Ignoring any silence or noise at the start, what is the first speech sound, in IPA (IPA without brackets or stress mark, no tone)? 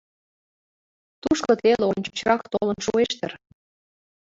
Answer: t̪